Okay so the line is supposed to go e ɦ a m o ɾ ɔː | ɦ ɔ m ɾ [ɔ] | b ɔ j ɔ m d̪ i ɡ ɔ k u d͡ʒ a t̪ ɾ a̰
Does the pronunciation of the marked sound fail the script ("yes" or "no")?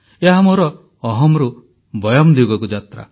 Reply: yes